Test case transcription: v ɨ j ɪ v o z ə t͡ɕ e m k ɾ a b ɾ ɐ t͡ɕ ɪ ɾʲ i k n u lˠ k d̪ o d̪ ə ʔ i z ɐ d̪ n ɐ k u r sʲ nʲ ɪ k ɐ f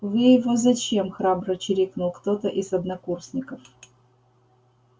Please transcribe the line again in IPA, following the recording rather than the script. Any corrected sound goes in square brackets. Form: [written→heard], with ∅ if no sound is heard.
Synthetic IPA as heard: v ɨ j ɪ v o z [ə→ɐ] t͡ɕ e m [k→x] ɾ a b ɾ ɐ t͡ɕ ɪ ɾʲ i k n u lˠ k [d̪→t̪] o [d̪→t̪] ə ʔ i z ɐ d̪ n ɐ k u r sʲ nʲ ɪ k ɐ f